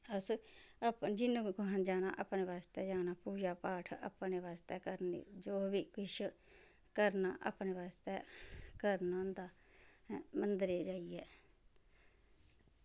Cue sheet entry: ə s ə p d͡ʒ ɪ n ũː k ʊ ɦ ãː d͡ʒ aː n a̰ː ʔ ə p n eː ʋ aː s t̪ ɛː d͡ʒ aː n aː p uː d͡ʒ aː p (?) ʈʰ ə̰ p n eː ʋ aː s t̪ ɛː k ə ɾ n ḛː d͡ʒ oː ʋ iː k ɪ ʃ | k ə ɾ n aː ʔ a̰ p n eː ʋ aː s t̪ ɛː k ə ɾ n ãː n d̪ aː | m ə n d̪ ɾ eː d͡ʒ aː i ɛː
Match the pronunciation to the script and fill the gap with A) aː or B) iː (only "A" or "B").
A